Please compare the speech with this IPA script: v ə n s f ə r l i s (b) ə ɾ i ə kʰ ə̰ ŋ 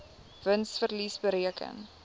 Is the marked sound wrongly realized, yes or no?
no